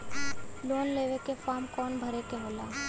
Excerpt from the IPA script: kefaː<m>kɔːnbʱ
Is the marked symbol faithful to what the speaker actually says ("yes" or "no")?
yes